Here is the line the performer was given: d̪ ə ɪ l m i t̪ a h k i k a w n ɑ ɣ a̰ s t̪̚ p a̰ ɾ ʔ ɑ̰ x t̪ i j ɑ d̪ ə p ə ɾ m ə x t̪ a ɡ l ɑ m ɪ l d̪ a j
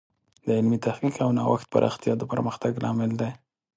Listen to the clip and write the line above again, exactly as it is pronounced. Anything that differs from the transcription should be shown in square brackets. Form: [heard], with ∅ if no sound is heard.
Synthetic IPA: d̪ ə ɪ l m i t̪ a h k i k a w n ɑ [w] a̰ [x] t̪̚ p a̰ ɾ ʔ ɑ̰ x t̪ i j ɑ d̪ ə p ə ɾ m ə x t̪ a ɡ l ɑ m ɪ l d̪ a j